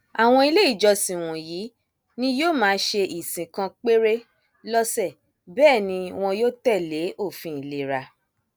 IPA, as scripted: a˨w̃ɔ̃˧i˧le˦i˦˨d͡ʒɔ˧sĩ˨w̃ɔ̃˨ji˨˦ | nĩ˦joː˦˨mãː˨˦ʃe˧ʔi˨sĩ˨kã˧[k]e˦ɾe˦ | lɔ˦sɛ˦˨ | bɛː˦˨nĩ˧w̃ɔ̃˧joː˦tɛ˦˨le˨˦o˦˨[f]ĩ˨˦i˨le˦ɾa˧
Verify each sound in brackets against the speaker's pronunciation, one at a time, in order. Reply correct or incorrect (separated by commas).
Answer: incorrect, correct